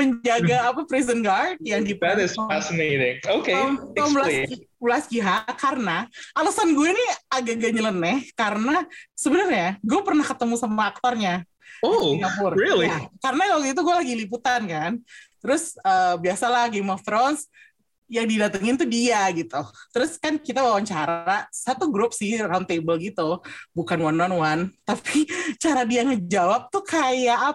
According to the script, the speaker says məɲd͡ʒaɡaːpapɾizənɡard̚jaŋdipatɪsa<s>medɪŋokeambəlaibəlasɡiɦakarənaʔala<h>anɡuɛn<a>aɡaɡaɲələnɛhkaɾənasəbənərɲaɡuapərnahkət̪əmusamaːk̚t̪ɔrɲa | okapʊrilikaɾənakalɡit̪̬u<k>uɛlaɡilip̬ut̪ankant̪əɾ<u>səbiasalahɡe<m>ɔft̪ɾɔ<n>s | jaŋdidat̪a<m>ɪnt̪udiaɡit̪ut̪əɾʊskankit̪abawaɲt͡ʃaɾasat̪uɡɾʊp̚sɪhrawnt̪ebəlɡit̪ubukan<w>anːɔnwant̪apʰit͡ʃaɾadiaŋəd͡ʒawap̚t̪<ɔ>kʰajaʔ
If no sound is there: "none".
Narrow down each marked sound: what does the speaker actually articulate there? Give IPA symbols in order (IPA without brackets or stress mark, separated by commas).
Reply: s, s, i, ɡ, ʊ, m, n, ŋ, w, u